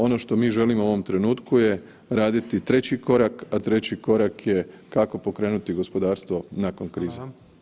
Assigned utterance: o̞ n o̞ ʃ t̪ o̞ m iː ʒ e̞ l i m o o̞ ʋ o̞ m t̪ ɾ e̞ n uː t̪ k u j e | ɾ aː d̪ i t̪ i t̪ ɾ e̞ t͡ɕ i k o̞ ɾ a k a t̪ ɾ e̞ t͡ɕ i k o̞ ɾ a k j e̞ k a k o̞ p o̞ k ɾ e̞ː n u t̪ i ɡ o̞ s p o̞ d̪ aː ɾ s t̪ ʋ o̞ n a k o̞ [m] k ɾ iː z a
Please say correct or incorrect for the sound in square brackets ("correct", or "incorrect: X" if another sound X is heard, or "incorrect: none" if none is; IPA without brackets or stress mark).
incorrect: n